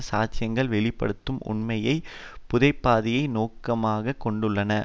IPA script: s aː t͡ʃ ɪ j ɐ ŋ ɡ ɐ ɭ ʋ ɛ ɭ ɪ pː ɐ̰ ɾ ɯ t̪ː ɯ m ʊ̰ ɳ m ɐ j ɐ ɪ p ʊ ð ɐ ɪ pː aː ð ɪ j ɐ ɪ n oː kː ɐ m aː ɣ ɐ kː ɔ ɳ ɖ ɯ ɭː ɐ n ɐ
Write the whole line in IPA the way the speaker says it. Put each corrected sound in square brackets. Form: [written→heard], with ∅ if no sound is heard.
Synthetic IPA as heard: s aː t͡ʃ ɪ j ɐ ŋ ɡ ɐ ɭ ʋ ɛ ɭ ɪ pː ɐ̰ [ɾ→ɽ] ɯ t̪ː ɯ m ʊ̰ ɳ m ɐ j ɐ ɪ p ʊ ð ɐ ɪ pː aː ð ɪ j ɐ ɪ n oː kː ɐ m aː ɣ ɐ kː ɔ ɳ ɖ ɯ ɭː ɐ n ɐ